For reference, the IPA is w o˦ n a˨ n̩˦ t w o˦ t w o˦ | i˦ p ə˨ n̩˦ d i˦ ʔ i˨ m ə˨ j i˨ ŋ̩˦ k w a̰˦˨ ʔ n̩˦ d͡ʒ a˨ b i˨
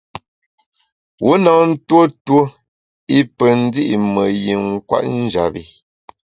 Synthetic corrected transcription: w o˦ n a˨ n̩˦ t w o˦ t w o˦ | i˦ p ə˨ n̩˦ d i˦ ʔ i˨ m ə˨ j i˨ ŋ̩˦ k w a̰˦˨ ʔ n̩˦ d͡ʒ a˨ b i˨